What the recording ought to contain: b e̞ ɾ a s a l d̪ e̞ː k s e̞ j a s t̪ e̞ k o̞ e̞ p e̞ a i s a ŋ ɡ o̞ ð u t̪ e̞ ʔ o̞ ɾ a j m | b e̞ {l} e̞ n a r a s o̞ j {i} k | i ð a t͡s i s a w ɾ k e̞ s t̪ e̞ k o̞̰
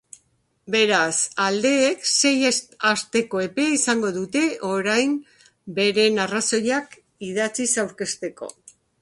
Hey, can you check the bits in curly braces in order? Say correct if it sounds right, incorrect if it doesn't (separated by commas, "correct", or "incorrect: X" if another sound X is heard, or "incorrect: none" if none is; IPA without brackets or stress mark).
incorrect: ɾ, incorrect: a